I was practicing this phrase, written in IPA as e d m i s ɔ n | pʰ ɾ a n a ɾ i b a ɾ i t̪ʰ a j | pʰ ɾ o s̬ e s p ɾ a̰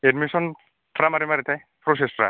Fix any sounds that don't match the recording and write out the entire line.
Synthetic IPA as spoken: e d m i s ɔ n | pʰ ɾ a m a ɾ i m a ɾ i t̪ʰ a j | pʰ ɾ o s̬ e s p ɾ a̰